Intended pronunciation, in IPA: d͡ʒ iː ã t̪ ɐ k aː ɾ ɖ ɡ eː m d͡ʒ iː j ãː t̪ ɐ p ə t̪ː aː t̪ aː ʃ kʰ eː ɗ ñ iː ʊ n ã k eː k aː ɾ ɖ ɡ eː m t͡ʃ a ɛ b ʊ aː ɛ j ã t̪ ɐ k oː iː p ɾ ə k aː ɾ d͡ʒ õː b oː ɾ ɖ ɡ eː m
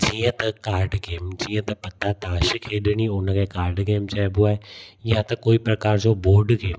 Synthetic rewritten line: d͡ʒ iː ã t̪ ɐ k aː ɾ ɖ ɡ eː m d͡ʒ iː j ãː t̪ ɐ p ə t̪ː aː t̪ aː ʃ kʰ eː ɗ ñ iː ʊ n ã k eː k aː ɾ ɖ ɡ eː m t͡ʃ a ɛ b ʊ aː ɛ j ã t̪ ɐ k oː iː p ɾ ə k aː ɾ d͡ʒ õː b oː ɾ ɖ ɡ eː m

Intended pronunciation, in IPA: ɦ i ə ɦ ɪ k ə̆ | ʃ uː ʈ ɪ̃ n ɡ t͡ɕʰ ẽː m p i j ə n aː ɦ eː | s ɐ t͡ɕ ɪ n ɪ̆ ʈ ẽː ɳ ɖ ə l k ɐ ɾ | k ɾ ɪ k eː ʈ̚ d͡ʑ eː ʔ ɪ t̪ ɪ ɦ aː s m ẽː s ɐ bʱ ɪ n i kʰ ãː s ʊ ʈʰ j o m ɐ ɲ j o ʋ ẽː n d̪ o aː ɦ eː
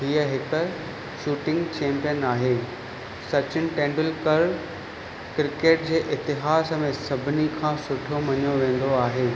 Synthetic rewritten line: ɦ i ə ɦ ɪ k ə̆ | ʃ uː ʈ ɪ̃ ŋ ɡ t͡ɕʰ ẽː m p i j ə n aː ɦ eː | s ɐ t͡ɕ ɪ n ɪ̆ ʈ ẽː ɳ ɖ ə l k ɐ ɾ | k ɾ ɪ k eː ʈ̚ d͡ʑ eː ʔ ɪ t̪ ɪ ɦ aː s m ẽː s ɐ bʱ ɪ n i kʰ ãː s ʊ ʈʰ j o m ɐ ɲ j o ʋ ẽː n d̪ o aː ɦ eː

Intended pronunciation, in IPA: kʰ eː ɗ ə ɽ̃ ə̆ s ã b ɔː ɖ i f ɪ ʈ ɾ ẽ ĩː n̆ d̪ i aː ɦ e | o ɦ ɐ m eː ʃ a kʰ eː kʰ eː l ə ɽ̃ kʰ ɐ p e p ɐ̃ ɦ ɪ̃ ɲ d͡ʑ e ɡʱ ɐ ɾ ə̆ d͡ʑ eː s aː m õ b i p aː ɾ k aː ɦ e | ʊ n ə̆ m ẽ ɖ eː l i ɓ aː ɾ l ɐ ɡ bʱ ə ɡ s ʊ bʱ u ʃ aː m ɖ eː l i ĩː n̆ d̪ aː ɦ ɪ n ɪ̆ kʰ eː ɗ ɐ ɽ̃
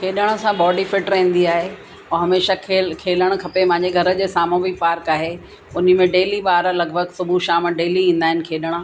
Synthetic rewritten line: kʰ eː ɗ ə ɽ̃ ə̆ s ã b ɔː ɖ i f ɪ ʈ ɾ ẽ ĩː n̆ d̪ i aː ɦ e | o ɦ ɐ m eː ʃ a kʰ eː kʰ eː l ə ɽ̃ kʰ ɐ p e p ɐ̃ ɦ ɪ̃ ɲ d͡ʑ e ɡʱ ɐ ɾ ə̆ d͡ʑ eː s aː m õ b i p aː ɾ k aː ɦ e | ʊ n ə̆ m ẽ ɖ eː l i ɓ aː ɾ l ɐ ɡ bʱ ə ɡ s ʊ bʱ u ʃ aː m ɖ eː l i ĩː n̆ d̪ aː ɦ ɪ n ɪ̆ kʰ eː ɗ ə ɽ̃

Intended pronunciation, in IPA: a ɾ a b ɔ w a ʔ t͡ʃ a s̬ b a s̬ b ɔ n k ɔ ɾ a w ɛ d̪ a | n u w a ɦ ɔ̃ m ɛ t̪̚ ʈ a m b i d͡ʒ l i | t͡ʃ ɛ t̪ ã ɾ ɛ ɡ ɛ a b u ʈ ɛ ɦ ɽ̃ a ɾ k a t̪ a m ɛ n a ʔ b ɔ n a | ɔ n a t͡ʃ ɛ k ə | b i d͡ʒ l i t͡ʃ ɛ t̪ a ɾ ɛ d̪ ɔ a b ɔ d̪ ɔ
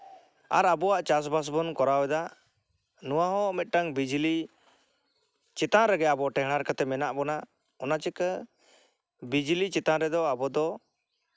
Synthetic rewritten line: a ɾ a b ɔ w a ʔ t͡ʃ a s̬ b a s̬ b ɔ n k ɔ ɾ a w ɛ d̪ a | n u w a ɦ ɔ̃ m ɛ t̪̚ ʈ a ŋ b i d͡ʒ l i | t͡ʃ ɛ t̪ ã ɾ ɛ ɡ ɛ a b ɔ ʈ ɛ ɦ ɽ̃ a ɾ k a t̪ ɛ m ɛ n a ʔ b ɔ n a | ɔ n a t͡ʃ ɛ k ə | b i d͡ʒ l i t͡ʃ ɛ t̪ a ɾ ɛ d̪ ɔ a b ɔ d̪ ɔ

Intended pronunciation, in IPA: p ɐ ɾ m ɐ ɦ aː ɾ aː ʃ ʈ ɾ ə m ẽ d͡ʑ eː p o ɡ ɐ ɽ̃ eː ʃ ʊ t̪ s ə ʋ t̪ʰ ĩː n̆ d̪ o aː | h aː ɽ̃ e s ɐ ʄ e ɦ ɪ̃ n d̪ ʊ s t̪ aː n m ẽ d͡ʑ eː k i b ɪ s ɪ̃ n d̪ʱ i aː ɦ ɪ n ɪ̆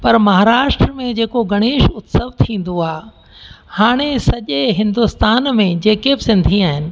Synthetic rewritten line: p ɐ ɾ m ɐ ɦ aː ɾ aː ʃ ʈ ɾ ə m ẽ d͡ʑ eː k o ɡ ɐ ɽ̃ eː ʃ ʊ t̪ s ə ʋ t̪ʰ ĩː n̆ d̪ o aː | h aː ɽ̃ e s ɐ ʄ e ɦ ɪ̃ n d̪ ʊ s t̪ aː n m ẽ d͡ʑ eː k e b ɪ s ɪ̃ n d̪ʱ i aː ɦ ɪ n ɪ̆

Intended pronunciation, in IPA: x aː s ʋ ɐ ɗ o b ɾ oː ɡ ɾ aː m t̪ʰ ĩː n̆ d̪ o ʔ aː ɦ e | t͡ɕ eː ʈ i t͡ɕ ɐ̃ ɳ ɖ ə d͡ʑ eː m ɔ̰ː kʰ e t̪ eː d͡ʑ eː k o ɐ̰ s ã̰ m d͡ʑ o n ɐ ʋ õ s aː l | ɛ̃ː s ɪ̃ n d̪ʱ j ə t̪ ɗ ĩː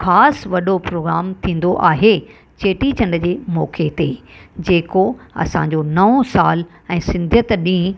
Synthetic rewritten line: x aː s ʋ ɐ ɗ o p ɾ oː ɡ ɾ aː m t̪ʰ ĩː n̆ d̪ o ʔ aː ɦ e | t͡ɕ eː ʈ i t͡ɕ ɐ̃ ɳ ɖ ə d͡ʑ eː m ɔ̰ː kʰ e t̪ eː d͡ʑ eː k o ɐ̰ s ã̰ ɲ d͡ʑ o n ɐ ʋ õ s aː l | ɛ̃ː s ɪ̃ n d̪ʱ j ə t̪ ɗ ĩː

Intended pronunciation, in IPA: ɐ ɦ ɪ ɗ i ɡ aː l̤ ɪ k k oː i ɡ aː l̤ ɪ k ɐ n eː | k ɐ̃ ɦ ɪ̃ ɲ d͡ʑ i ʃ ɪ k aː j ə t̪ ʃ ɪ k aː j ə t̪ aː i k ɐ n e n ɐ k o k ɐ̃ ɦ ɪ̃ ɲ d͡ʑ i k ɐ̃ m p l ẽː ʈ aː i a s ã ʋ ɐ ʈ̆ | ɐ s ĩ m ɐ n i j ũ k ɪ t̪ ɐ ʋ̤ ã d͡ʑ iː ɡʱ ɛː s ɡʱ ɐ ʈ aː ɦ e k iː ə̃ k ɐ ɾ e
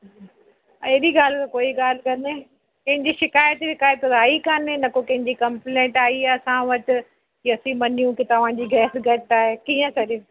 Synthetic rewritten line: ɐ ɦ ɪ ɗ i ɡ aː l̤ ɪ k k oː i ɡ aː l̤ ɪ k ɐ n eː | k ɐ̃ ɦ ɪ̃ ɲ d͡ʑ i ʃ ɪ k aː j ə t̪ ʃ ɪ k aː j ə t̪ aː i k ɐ n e n ɐ k o k ɐ̃ ɦ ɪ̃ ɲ d͡ʑ i k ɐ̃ m p l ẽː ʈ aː i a s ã ʋ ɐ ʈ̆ | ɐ s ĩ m ɐ n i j ũ k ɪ t̪ ɐ ʋ̤ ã d͡ʑ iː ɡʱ ɛː s ɡʱ ɐ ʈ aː ɦ e k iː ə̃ k ɐ ɾ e

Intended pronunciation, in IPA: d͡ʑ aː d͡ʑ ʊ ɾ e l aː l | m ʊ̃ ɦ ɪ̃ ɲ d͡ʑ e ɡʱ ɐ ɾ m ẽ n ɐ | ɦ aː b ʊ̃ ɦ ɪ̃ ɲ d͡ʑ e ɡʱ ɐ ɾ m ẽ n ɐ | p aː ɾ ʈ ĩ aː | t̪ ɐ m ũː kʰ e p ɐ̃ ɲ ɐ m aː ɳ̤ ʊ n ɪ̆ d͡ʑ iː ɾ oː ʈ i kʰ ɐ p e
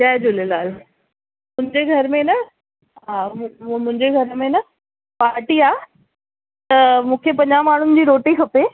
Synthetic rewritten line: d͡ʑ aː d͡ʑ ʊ l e l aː l | m ʊ̃ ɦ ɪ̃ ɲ d͡ʑ e ɡʱ ɐ ɾ m ẽ n ɐ | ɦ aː m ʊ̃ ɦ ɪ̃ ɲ d͡ʑ e ɡʱ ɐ ɾ m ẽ n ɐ | p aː ɾ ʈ i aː | t̪ ɐ m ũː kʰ e p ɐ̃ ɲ a m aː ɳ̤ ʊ n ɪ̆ d͡ʑ iː ɾ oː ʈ i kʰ ɐ p e

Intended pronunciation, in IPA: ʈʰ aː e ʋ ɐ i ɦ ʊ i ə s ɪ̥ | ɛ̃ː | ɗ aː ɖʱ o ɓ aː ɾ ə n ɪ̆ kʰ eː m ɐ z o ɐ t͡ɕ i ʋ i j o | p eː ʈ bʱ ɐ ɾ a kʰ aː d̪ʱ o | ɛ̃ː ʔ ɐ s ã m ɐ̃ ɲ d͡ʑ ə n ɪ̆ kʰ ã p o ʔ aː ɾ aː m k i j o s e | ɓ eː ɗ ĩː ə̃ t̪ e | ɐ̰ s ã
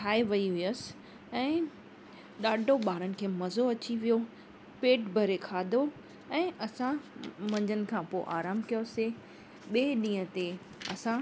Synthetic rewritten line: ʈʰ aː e ʋ ɐ i ɦ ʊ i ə s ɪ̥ | ɛ̃ː | ɗ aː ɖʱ o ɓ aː ɾ ə n ɪ̆ kʰ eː m ɐ z o ɐ t͡ɕ i ʋ i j o | p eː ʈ bʱ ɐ ɾ e kʰ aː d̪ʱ o | ɛ̃ː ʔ ɐ s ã m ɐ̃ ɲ d͡ʑ ə n ɪ̆ kʰ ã p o ʔ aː ɾ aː m k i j o s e | ɓ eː ɗ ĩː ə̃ t̪ e | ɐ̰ s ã

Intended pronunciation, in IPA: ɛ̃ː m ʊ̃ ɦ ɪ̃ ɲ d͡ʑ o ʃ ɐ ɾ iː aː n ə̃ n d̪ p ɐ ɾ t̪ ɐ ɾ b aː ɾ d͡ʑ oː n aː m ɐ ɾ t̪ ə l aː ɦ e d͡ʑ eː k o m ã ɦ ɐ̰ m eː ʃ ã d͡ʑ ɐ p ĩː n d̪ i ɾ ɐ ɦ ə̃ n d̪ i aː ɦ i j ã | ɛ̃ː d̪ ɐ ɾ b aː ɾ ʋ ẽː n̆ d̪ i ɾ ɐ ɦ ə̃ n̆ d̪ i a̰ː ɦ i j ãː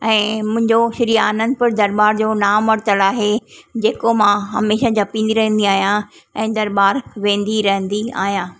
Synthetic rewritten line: ɛ̃ː m ʊ̃ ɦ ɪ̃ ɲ d͡ʑ o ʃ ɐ ɾ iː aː n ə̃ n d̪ p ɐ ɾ d̪ ɐ ɾ b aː ɾ d͡ʑ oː n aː m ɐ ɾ t̪ ə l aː ɦ e d͡ʑ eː k o m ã ɦ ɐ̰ m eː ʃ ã d͡ʑ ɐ p ĩː n d̪ i ɾ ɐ ɦ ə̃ n d̪ i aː ɦ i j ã | ɛ̃ː d̪ ɐ ɾ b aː ɾ ʋ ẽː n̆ d̪ i ɾ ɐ ɦ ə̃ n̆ d̪ i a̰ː ɦ i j ãː

